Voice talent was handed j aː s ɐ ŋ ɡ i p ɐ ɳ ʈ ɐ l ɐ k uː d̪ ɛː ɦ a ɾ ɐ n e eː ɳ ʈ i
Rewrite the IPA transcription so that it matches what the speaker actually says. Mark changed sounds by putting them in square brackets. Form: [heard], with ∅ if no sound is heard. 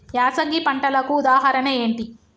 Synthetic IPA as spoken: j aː s ɐ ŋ ɡ i p ɐ ɳ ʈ ɐ l ɐ k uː d̪ [aː] ɦ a ɾ ɐ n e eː ɳ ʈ i